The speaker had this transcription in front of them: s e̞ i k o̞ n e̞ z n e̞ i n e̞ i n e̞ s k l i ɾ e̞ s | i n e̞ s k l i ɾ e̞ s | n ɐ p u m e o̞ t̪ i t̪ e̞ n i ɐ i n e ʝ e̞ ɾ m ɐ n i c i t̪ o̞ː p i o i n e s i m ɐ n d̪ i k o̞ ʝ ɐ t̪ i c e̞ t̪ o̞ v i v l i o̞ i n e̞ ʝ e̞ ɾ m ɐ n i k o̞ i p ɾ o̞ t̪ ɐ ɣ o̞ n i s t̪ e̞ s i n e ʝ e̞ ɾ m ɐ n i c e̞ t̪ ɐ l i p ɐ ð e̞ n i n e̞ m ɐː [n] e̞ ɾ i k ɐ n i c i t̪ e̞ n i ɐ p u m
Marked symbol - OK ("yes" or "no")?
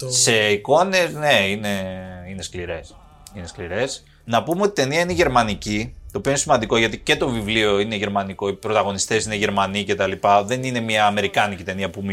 no